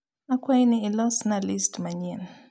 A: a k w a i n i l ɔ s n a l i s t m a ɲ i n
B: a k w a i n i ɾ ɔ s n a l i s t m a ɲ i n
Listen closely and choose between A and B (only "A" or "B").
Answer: A